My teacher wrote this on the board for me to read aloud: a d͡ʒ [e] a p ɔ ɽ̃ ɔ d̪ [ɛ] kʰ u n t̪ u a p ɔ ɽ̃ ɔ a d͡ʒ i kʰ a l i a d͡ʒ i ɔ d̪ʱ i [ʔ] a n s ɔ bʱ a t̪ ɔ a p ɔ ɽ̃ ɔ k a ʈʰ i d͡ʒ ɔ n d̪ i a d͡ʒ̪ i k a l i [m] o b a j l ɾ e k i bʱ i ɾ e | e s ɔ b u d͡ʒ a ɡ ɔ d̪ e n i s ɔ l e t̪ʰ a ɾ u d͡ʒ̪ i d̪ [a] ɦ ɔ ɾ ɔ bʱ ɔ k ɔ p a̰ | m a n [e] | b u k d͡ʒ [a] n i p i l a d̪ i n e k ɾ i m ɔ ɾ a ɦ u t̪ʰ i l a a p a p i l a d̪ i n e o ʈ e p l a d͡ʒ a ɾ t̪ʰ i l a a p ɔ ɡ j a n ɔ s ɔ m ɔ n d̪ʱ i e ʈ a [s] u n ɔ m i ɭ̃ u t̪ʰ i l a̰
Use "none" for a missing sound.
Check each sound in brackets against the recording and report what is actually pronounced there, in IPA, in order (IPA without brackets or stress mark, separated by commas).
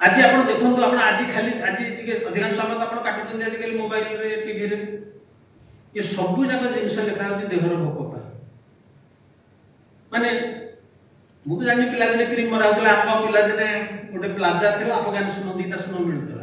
i, e, k, m, e, e, a, s